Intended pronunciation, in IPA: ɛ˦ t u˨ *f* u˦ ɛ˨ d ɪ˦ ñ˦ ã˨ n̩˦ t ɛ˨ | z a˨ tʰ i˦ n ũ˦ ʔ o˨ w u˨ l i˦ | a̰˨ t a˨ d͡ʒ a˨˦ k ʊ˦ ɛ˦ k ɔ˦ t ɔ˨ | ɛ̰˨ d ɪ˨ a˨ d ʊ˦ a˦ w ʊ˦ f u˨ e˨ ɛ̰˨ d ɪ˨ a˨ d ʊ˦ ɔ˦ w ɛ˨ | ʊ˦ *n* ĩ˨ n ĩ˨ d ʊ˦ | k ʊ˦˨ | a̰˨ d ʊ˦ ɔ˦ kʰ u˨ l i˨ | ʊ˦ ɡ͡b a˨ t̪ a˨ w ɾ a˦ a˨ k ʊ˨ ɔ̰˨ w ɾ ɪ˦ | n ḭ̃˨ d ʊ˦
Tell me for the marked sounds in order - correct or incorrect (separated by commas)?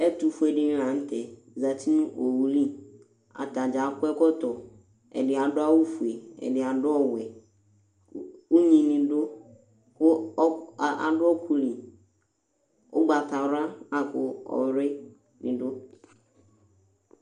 correct, incorrect